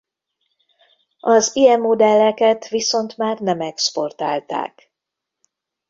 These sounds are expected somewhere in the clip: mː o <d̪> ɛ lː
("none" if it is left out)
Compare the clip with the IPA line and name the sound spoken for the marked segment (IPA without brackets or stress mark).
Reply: d̪